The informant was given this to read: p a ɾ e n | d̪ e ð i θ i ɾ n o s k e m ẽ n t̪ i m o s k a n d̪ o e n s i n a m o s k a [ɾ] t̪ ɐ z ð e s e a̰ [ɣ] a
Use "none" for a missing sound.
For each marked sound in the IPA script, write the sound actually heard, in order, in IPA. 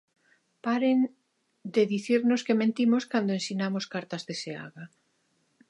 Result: ɾ, ɣ

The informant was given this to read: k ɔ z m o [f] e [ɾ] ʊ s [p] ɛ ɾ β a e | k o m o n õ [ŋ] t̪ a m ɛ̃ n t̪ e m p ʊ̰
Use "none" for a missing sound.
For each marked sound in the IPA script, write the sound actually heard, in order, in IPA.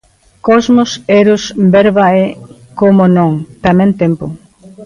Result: s, ɾ, b, ŋ

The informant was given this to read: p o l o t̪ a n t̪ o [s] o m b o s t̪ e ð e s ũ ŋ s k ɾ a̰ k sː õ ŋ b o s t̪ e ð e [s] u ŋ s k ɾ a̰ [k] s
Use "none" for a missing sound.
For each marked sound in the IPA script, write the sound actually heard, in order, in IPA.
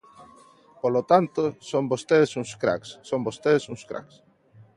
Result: s, s, k

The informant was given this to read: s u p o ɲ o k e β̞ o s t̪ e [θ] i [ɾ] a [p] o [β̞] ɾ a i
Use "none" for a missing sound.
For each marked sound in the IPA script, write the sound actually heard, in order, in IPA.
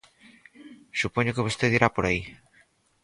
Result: ð, ɾ, p, none

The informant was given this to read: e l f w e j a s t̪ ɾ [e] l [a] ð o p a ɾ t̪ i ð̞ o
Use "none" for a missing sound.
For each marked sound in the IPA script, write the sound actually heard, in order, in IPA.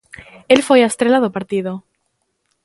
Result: e, a

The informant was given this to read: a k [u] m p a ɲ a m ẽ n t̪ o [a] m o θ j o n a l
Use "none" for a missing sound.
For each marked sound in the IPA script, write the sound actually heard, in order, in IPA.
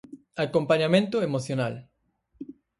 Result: o, e

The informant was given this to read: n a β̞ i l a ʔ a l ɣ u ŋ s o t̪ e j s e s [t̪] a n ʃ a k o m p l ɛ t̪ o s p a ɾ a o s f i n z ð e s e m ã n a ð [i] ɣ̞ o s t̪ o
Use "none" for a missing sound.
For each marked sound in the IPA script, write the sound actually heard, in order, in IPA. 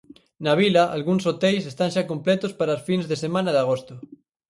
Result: t̪, a

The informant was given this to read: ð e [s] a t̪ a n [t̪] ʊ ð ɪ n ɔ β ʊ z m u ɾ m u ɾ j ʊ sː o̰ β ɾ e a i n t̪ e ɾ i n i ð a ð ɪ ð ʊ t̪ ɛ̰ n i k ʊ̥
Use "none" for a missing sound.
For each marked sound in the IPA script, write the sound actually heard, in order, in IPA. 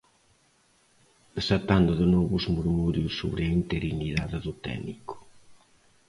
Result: s, d̪

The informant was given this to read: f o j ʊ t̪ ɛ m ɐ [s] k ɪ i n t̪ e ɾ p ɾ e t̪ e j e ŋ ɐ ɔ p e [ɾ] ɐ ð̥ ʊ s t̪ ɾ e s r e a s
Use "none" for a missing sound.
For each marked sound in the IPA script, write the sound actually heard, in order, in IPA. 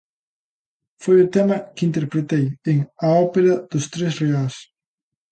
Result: none, ɾ

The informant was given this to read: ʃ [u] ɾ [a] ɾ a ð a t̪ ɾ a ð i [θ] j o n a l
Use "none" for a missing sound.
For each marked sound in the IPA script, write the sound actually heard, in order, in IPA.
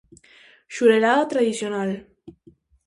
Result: u, e, s

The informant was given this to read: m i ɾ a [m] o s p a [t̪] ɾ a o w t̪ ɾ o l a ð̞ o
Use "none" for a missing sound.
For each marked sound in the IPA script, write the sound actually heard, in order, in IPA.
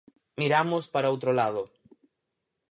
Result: m, none

